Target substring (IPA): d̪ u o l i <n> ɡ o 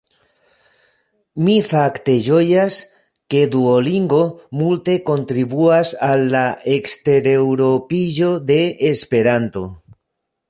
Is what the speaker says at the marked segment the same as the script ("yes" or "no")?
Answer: no